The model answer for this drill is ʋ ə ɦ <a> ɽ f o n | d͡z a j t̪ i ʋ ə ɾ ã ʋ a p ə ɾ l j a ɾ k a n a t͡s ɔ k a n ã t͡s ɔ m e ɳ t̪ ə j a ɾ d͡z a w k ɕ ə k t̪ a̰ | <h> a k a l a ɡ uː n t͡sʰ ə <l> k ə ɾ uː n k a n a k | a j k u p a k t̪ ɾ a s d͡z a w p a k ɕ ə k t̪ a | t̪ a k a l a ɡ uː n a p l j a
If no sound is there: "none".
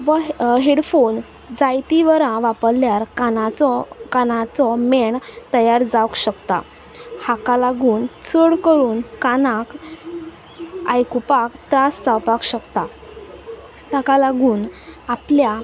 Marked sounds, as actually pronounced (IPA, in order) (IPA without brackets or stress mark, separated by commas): e, h, ɽ